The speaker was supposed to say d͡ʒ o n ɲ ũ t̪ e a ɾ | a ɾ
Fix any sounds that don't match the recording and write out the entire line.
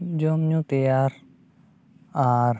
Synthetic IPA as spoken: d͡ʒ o m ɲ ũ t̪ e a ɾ | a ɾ